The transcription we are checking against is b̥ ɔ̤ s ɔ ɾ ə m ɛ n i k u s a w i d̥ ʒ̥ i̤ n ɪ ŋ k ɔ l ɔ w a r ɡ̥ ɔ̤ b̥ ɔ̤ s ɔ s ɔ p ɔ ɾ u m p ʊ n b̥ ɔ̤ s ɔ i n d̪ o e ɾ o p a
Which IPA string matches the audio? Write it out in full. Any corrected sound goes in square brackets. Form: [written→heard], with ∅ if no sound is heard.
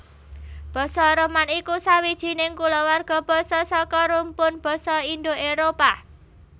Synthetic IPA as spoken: b̥ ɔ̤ s ɔ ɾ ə m [ɛ→a] n i k u s a w i d̥ ʒ̥ i̤ n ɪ ŋ k [ɔ→u] l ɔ w a r ɡ̥ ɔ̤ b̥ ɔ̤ s ɔ s ɔ [p→k] ɔ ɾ u m p ʊ n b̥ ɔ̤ s ɔ i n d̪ o e ɾ o p a